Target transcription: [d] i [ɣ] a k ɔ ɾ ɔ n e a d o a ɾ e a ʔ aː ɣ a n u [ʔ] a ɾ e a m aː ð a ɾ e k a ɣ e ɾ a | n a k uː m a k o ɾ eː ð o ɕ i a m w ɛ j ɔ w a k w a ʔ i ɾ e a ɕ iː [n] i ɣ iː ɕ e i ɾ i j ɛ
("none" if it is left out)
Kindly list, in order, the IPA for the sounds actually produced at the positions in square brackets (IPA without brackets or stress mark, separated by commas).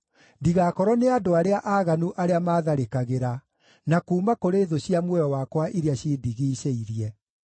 d, ɣ, ʔ, d